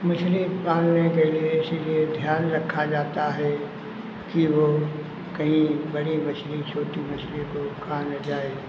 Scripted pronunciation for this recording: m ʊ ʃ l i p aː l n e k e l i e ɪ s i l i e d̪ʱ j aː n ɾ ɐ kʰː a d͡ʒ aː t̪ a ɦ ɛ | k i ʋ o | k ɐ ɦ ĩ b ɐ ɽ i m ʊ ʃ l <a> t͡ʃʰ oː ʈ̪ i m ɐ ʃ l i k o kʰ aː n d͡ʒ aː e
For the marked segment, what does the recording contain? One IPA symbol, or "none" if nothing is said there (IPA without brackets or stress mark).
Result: i